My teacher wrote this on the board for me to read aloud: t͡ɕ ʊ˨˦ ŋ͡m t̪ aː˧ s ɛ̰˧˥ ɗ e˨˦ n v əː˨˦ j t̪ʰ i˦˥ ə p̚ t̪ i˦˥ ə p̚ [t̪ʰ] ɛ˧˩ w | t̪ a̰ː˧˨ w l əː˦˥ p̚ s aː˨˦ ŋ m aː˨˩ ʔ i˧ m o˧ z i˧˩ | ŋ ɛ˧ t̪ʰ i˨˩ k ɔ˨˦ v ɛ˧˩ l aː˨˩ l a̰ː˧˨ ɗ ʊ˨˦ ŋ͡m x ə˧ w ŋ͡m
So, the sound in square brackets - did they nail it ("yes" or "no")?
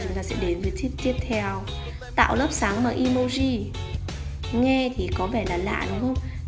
yes